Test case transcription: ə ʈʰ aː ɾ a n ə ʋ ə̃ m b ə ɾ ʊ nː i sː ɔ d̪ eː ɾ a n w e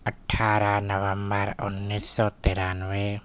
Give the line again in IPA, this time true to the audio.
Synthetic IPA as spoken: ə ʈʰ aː ɾ a n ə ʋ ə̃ m b ə ɾ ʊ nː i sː ɔ t̪ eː ɾ a n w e